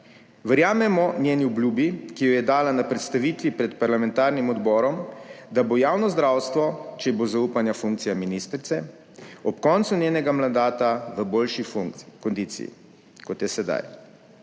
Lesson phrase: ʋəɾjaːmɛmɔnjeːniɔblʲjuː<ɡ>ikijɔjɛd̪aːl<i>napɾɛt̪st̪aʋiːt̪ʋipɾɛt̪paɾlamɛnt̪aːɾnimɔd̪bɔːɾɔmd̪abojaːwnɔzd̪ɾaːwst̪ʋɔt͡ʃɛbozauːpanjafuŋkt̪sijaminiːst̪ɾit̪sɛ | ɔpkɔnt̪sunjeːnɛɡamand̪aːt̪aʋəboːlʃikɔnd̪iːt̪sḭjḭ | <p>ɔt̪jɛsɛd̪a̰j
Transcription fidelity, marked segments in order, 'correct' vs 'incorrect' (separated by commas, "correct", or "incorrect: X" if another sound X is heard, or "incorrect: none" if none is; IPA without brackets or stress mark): incorrect: b, incorrect: a, incorrect: k